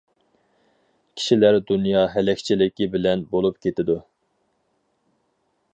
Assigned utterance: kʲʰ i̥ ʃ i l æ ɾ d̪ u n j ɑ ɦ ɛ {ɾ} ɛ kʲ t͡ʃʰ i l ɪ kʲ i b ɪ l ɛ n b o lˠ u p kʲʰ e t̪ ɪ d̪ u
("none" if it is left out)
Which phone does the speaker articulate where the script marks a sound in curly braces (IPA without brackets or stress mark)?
l